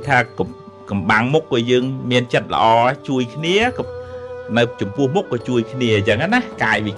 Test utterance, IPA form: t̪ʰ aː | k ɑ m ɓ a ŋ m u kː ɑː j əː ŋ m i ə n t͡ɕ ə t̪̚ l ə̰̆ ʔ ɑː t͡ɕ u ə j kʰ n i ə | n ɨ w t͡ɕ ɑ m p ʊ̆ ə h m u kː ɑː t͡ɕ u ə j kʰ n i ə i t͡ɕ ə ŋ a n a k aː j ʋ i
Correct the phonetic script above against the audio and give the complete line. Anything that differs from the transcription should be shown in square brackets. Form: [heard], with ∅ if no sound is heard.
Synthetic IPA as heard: t̪ʰ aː | k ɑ m ɓ a ŋ m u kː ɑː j əː ŋ m i ə n t͡ɕ ə t̪̚ l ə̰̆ ʔ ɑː t͡ɕ u ə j kʰ n i ə | n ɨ w t͡ɕ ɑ m p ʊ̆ ə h m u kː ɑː t͡ɕ u ə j kʰ n i ə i t͡ɕ ə ŋ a n a k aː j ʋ i